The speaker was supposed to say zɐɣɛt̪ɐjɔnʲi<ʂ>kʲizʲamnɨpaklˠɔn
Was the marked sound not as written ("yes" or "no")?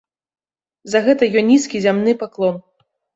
yes